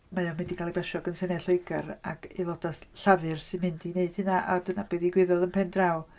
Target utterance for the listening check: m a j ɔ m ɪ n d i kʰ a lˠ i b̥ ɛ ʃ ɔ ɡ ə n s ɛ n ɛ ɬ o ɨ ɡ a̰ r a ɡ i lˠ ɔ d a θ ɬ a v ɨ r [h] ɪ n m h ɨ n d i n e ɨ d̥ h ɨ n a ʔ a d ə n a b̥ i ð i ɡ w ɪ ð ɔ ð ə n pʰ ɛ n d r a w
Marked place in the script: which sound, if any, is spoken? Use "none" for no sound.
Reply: s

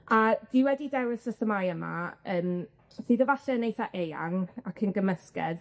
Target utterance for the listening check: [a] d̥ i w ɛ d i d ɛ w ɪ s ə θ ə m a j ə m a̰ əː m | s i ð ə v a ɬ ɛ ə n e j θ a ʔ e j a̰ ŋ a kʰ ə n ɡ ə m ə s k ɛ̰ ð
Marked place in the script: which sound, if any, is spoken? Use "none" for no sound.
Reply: a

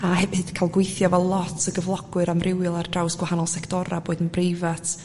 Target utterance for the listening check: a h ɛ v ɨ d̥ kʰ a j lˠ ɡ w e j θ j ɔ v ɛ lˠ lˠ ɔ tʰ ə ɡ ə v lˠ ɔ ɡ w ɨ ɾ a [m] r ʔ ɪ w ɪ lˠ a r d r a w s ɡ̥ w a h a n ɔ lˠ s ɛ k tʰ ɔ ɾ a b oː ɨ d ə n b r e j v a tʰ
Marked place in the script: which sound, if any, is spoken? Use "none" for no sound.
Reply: m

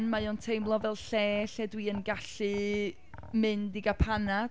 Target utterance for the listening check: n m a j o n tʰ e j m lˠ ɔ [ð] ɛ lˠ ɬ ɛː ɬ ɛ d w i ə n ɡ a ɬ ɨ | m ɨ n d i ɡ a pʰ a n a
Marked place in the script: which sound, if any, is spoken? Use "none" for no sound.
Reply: v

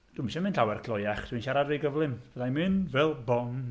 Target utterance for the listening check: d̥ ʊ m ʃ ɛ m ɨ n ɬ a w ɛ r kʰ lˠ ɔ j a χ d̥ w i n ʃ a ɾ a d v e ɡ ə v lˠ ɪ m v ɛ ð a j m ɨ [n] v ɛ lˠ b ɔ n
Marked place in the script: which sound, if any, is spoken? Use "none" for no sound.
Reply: n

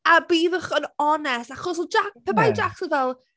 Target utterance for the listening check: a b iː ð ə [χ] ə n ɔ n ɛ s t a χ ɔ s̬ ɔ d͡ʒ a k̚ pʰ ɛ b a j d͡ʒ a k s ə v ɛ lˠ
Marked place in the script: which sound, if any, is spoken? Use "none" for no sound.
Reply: χ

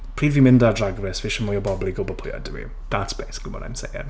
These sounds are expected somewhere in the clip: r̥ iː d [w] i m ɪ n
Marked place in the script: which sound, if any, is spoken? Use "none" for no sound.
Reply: v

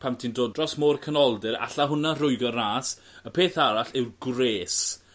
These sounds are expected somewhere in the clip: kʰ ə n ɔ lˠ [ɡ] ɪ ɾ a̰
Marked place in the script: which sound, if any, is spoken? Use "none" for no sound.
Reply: d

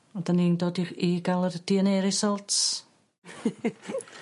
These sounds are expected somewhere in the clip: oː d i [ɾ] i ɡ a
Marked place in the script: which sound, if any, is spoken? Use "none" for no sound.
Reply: none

